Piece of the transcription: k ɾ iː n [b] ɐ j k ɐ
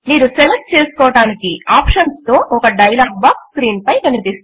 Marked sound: incorrect: p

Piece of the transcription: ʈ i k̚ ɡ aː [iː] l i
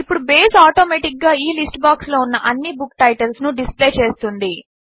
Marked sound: correct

